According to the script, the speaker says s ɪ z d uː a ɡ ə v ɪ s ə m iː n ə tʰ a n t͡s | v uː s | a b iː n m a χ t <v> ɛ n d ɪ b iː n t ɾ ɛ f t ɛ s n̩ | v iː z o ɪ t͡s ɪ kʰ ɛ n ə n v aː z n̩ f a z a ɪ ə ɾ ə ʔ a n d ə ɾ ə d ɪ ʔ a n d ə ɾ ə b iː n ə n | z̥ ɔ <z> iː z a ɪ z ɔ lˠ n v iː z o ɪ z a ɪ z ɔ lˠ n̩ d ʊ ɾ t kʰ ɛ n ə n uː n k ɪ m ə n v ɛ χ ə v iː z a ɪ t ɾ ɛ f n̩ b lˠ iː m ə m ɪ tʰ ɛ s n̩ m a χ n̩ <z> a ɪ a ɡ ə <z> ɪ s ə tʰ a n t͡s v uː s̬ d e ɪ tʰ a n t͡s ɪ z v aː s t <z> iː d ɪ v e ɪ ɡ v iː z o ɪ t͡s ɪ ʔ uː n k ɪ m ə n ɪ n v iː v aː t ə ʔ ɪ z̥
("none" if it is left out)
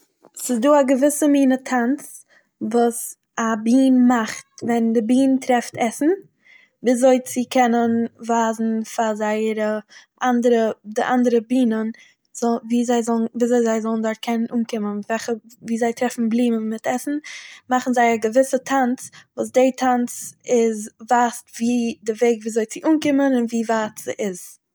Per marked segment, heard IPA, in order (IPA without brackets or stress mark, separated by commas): v, v, z, v, v